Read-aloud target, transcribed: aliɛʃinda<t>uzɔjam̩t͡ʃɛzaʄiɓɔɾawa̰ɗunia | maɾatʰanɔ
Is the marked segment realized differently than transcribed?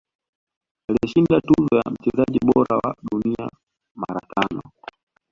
no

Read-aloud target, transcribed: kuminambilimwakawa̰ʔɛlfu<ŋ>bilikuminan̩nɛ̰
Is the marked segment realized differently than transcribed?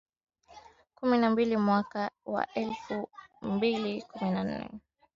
yes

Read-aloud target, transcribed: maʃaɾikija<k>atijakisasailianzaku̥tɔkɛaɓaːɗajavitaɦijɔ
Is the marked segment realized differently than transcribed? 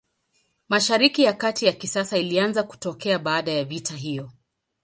no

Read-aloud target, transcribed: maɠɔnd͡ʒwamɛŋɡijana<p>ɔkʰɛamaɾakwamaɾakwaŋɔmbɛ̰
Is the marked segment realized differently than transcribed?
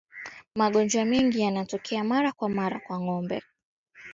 yes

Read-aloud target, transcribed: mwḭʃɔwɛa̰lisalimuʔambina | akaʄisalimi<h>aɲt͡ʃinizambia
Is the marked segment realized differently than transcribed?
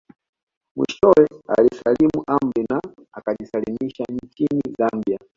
yes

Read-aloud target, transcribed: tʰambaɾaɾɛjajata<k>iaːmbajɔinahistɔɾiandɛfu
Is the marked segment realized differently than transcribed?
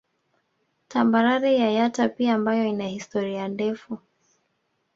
yes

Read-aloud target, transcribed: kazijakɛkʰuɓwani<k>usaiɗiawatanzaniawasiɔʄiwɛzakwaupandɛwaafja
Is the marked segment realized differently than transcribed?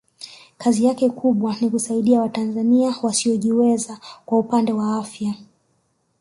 no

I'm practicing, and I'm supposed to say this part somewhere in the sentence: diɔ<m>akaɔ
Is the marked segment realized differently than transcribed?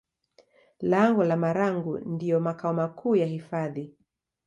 no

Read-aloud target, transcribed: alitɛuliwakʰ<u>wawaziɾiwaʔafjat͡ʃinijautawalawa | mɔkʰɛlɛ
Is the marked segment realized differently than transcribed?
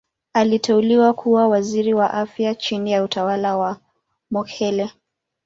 no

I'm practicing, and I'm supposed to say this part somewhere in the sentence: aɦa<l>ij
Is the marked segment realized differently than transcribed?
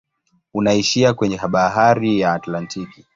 yes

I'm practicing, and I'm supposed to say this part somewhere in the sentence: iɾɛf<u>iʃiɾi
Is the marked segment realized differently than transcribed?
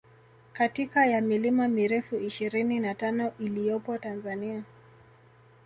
no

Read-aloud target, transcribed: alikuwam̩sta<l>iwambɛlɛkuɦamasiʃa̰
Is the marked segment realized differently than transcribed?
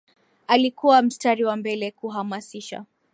yes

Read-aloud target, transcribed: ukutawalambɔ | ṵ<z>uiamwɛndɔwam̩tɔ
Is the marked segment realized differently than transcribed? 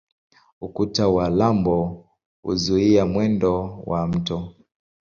no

